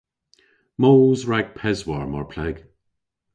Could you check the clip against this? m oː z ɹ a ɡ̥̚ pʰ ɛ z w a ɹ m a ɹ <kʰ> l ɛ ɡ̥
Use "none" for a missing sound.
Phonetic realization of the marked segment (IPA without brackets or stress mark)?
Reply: pʰ